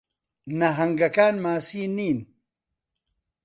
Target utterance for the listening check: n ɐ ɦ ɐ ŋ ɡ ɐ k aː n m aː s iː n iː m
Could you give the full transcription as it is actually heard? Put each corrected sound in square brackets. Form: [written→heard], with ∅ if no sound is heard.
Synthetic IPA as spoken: n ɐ ɦ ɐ ŋ ɡ ɐ k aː n m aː s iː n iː [m→n]